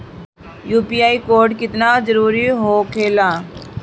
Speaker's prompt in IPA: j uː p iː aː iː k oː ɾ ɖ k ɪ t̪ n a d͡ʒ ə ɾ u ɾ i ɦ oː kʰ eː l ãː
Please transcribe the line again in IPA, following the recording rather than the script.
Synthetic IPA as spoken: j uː p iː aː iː k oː ɾ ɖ k ɪ t̪ n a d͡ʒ ə ɾ uː ɾ i ɦ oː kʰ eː l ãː